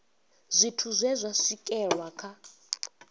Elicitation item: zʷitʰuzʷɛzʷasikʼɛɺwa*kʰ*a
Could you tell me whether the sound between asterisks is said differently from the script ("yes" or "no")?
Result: no